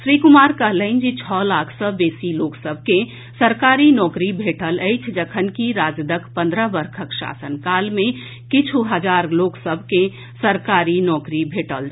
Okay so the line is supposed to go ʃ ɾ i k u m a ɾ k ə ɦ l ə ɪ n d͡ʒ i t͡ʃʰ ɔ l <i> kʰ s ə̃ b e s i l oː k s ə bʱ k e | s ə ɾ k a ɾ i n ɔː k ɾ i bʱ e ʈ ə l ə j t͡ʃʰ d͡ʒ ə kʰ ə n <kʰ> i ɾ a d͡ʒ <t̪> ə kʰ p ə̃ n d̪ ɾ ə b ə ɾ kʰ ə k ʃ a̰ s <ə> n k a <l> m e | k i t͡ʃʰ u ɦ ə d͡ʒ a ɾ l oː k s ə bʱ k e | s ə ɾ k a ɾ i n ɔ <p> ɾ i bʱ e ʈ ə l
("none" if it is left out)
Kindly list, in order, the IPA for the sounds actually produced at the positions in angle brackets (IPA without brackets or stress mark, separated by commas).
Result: a, k, d̪, ə, l, k